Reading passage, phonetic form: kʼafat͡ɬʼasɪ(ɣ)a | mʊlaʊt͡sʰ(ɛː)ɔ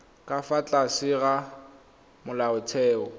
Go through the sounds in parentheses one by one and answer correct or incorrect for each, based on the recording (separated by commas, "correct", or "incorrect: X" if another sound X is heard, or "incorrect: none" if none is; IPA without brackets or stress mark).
correct, correct